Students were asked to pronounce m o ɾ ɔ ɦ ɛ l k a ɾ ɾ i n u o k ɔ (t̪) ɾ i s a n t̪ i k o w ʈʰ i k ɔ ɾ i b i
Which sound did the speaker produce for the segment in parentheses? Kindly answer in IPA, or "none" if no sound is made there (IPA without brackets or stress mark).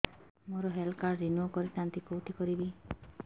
none